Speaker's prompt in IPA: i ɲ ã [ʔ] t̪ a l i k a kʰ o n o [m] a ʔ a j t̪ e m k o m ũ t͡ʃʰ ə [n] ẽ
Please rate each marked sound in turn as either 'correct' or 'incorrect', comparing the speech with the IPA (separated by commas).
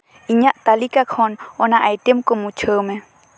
correct, incorrect, incorrect